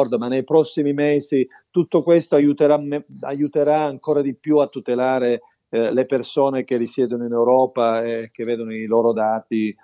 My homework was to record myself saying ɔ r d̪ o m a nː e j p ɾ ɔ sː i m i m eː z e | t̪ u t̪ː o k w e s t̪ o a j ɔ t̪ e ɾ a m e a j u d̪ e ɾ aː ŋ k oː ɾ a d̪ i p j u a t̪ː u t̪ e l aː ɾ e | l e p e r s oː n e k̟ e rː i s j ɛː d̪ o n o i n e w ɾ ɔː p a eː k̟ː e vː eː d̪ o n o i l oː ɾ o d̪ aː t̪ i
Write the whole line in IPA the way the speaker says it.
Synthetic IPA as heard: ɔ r d̪ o m a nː e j p ɾ ɔ sː i m i m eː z i | t̪ u t̪ː o k w e s t̪ o a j u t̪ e ɾ a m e a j u t̪ e ɾ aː ŋ k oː ɾ a d̪ i p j u a t̪ː u t̪ e l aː ɾ e | l e p e r s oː n e k̟ e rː i s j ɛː d̪ o n o i n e w ɾ ɔː p a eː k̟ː e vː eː d̪ o n o i l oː ɾ o d̪ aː t̪ i